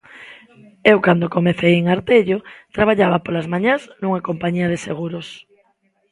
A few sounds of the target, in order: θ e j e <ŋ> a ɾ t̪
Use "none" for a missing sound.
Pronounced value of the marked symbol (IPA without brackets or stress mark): ŋ